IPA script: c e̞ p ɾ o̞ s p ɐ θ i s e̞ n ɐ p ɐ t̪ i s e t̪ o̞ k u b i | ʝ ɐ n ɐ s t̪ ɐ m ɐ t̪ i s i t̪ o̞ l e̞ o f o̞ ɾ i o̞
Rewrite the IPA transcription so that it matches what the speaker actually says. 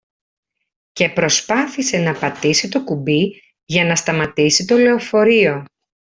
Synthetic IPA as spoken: c e̞ p ɾ o̞ s p ɐ θ i s e̞ n ɐ p ɐ t̪ i s i t̪ o̞ k u b i | ʝ ɐ n ɐ s t̪ ɐ m ɐ t̪ i s i t̪ o̞ l e̞ o f o̞ ɾ i o̞